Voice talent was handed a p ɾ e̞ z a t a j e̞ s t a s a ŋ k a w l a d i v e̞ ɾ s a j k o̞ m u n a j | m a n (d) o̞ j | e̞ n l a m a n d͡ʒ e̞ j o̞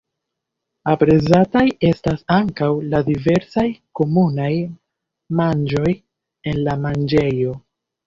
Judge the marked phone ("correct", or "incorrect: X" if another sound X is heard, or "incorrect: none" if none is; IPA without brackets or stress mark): incorrect: d͡ʒ